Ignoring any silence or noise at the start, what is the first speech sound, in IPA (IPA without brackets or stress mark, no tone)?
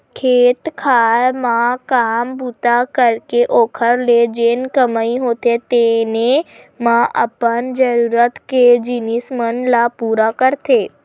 kʰ